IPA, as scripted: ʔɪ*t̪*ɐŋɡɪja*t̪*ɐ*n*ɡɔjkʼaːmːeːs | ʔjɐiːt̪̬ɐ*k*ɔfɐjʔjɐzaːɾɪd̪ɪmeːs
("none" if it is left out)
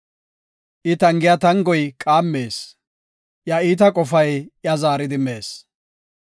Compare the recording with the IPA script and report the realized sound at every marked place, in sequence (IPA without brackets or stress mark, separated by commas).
t̪, t̪, ŋ, kʼ